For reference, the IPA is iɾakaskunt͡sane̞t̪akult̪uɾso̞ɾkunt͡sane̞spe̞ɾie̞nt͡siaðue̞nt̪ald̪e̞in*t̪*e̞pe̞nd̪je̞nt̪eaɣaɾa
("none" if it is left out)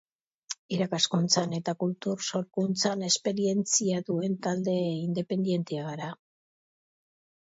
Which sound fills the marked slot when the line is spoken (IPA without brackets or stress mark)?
d̪